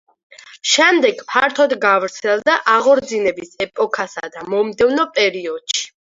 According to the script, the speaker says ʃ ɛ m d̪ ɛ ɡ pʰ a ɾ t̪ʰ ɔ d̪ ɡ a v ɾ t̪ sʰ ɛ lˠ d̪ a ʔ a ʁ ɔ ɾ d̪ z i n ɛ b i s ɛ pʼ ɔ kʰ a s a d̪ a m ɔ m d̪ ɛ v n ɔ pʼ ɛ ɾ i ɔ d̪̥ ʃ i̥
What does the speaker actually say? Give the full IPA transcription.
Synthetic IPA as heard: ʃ ɛ m d̪ ɛ ɡ pʰ a ɾ t̪ʰ ɔ d̪ ɡ a v ɾ t̪ sʰ ɛ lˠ d̪ a ʔ a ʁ ɔ ɾ d̪ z i n ɛ b i s ɛ pʼ ɔ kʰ a s a d̪ a m ɔ m d̪ ɛ v n ɔ pʼ ɛ ɾ i ɔ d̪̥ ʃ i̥